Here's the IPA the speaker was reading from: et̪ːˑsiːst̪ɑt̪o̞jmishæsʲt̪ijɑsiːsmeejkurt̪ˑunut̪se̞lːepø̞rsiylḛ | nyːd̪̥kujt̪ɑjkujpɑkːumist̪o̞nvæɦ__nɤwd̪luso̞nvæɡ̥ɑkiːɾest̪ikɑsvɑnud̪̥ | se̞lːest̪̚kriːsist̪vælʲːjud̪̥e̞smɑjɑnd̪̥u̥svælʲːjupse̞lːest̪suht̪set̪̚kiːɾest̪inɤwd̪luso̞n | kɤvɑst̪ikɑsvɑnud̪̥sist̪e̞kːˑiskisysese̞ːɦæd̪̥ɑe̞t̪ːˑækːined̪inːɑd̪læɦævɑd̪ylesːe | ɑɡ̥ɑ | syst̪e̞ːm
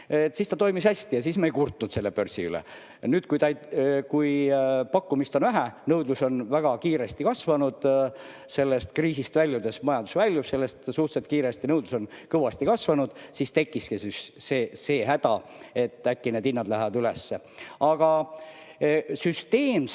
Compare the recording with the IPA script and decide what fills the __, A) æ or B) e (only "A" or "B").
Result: A